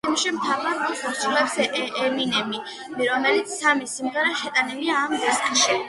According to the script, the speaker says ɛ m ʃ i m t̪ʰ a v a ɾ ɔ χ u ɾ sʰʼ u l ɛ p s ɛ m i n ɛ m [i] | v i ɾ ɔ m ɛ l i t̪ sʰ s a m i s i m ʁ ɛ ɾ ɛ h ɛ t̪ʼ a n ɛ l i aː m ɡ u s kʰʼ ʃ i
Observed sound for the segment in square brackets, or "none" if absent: i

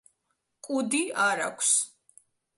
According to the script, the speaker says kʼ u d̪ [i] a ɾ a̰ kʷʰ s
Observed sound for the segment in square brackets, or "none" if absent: i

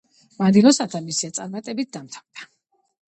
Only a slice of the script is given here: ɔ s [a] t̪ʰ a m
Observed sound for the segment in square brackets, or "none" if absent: a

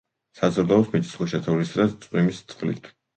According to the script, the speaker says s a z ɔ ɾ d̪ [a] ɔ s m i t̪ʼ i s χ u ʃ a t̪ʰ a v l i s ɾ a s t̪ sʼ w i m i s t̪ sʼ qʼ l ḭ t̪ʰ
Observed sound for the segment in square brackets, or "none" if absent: a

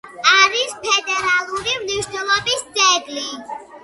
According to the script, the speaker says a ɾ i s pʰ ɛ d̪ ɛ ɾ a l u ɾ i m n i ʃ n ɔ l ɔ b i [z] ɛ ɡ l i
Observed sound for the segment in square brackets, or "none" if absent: s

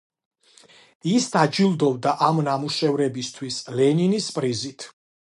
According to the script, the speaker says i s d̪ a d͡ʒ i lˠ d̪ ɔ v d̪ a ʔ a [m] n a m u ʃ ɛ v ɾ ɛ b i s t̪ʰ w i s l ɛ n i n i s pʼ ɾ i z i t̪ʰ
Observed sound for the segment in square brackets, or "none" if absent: m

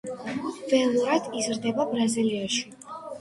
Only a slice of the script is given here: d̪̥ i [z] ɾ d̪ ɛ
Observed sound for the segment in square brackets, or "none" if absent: z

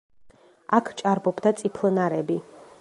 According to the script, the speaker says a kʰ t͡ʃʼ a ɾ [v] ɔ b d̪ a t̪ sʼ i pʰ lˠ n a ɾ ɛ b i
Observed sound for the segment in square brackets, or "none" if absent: b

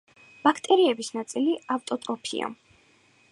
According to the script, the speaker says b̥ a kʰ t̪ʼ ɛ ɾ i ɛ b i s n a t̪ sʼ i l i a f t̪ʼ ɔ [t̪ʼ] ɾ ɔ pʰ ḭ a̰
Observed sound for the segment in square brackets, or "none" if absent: t̪ʼ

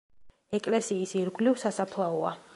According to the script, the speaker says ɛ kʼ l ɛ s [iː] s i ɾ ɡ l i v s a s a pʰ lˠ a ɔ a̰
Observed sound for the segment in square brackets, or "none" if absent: iː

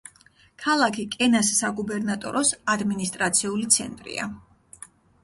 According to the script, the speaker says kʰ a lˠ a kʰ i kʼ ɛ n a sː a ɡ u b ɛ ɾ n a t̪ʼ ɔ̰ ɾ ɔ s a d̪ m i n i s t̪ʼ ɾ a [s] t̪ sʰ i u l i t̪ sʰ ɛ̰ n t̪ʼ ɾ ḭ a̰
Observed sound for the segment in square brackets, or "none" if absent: none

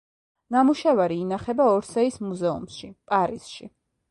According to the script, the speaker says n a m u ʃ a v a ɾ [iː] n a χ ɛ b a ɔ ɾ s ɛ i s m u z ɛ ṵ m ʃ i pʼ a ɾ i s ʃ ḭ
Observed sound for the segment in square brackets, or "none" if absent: iː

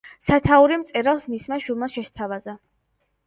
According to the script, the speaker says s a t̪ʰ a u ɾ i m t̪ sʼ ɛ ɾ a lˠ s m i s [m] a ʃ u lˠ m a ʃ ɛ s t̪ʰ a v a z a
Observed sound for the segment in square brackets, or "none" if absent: m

